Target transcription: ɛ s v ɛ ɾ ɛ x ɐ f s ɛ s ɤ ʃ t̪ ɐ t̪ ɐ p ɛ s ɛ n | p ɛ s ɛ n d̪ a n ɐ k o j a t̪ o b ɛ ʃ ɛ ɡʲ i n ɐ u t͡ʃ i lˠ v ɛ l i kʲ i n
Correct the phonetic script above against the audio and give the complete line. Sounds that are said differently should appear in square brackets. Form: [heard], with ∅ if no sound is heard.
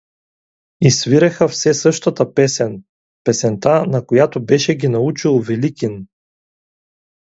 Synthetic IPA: [i] s v [i] ɾ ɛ x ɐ f s ɛ s ɤ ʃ t̪ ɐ t̪ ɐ p ɛ s ɛ n | p ɛ s ɛ n [t̪] a n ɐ k o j a t̪ o b ɛ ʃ ɛ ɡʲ i n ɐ u t͡ʃ i lˠ v ɛ l i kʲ i n